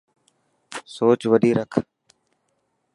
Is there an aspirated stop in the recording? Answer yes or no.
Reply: yes